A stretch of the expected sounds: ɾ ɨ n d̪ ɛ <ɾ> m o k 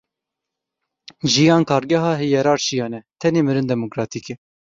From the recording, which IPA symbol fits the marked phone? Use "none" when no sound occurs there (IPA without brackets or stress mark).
none